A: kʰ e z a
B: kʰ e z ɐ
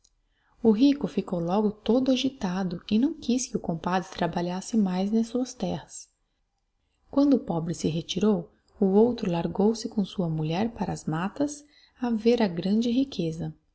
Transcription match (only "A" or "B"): B